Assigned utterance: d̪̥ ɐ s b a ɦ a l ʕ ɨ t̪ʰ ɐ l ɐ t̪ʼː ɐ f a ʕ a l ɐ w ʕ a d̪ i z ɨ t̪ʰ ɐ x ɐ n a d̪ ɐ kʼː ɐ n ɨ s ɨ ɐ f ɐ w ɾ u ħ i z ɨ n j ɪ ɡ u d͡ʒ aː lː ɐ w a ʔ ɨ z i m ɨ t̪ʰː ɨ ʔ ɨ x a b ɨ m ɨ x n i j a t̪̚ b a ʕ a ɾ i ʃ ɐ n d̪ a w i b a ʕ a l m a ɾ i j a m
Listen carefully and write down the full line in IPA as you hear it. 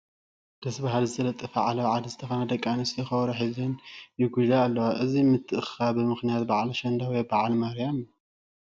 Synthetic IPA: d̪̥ ɐ s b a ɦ a l z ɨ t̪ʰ ɐ l ɐ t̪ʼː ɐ f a ʕ a l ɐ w ʕ a d̪ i z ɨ t̪ʰ ɐ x ɐ n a d̪ ɐ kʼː a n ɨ s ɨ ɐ x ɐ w ɾ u ħ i z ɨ n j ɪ ɡ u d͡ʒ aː lː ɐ w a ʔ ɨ z i m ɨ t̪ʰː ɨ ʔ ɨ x a b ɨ m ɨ x n i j a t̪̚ b a ʕ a l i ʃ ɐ n d̪ a w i b a ʕ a l m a ɾ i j a m